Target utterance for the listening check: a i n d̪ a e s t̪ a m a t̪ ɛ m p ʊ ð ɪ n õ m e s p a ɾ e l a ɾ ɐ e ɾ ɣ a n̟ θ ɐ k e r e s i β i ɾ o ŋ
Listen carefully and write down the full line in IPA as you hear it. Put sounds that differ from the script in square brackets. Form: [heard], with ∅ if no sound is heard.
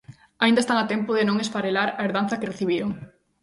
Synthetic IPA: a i n d̪ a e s t̪ a [ŋ] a t̪ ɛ m p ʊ ð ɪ n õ [ŋ] e s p a ɾ e l a ɾ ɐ e ɾ [ð] a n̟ θ ɐ k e r e [θ] i β i ɾ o ŋ